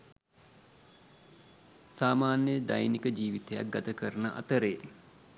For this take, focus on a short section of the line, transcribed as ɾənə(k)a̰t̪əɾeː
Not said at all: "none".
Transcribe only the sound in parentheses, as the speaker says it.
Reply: ʔ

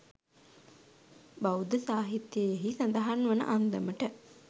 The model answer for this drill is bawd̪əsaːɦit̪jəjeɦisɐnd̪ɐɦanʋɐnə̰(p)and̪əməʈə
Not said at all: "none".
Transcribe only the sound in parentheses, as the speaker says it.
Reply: ʔ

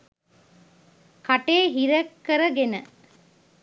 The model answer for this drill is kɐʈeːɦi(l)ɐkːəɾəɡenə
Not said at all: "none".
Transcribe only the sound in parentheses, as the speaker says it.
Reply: ɾ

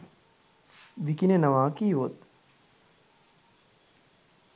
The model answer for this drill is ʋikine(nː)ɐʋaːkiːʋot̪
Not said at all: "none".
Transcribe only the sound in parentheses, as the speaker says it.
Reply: n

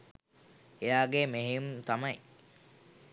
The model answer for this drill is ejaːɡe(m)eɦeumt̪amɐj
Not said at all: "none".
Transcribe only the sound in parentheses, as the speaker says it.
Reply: m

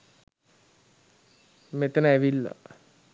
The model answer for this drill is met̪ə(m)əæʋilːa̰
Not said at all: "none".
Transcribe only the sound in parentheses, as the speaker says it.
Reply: n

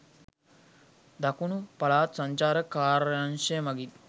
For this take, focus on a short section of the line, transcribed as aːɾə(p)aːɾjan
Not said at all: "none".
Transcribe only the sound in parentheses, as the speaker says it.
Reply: k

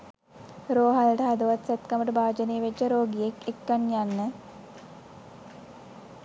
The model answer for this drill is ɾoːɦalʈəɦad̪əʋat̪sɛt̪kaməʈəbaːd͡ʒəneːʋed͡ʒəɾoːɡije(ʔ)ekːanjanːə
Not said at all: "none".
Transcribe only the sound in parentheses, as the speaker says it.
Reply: k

